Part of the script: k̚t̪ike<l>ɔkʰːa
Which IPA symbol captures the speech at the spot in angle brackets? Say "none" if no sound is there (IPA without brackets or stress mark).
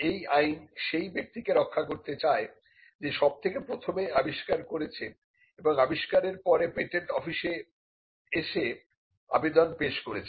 ɾ